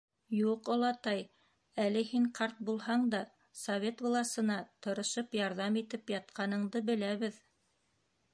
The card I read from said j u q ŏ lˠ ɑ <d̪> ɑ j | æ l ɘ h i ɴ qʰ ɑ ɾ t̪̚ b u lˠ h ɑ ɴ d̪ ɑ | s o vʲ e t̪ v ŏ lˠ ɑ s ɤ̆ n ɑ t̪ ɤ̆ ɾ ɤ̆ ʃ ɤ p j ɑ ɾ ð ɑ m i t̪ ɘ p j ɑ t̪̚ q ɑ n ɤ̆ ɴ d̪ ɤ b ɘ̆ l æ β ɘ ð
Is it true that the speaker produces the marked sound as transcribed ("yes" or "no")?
no